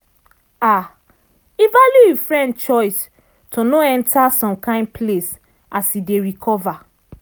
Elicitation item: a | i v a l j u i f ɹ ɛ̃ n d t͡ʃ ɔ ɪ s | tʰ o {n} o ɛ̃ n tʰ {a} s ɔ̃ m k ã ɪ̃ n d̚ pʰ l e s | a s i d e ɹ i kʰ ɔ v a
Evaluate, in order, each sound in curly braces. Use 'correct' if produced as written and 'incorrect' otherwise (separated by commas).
correct, correct